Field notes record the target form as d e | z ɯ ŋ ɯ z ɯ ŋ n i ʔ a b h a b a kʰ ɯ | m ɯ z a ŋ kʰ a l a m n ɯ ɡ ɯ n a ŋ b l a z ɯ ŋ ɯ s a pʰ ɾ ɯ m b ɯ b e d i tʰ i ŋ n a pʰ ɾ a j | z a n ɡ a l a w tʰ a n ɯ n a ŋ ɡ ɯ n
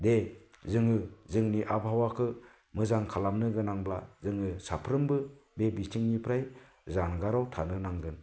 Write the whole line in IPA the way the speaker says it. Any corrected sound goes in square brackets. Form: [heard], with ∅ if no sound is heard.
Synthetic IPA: d e | z ɯ ŋ ɯ z ɯ ŋ n i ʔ a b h a [w] a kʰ ɯ | m ɯ z a ŋ kʰ a l a m n ɯ ɡ ɯ n a ŋ b l a z ɯ ŋ ɯ s a pʰ ɾ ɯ m b ɯ b e [b] i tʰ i ŋ n [i] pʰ ɾ a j | z a n ɡ a [ɾ] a w tʰ a n ɯ n a ŋ ɡ ɯ n